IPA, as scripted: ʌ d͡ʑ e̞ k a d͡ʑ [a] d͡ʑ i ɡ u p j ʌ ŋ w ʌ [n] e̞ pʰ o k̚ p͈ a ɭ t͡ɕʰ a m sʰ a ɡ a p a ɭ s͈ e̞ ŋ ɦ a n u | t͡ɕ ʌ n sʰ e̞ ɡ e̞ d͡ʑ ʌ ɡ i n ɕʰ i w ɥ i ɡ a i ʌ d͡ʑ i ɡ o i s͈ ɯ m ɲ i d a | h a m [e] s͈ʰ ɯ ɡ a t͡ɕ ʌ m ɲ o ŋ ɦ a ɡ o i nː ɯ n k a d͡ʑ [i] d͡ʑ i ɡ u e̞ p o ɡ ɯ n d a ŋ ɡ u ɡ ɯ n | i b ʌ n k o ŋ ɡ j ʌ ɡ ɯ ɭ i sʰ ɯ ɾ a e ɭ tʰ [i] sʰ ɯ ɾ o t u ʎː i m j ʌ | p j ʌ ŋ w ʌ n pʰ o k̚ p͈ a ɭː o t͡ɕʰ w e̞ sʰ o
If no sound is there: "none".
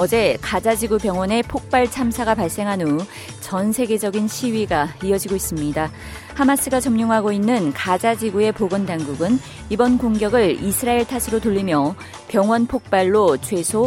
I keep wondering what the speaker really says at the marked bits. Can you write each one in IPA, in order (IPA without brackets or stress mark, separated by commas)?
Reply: a, n, a, a, a